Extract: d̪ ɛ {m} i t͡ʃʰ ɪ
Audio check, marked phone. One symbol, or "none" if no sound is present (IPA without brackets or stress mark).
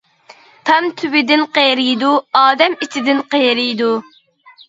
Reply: m